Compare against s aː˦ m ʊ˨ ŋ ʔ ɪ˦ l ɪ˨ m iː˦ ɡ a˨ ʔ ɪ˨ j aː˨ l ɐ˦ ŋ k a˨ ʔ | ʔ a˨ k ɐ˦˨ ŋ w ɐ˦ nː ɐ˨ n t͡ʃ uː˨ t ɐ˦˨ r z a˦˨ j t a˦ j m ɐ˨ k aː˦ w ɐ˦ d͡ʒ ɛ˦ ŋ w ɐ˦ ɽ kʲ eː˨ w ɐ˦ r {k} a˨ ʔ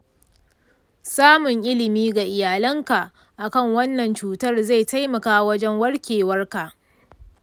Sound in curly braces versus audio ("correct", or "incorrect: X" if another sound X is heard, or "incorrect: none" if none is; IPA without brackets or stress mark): correct